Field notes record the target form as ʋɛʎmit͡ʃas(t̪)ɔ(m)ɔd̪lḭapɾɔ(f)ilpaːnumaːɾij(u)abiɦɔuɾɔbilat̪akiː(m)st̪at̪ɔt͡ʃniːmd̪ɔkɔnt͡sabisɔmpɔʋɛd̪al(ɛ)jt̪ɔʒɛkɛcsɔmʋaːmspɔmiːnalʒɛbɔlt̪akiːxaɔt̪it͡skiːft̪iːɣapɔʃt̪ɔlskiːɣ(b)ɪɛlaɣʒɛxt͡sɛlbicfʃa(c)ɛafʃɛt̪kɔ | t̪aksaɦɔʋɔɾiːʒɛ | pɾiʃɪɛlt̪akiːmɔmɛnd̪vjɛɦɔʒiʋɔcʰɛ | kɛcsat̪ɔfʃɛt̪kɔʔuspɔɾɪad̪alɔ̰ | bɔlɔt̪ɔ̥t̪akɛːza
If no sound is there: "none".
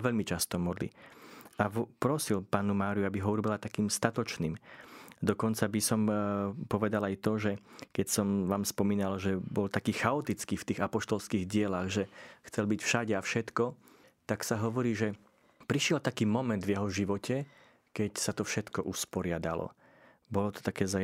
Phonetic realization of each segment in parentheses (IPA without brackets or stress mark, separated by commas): t̪, m, s, u, m, a, ɟ, ɟ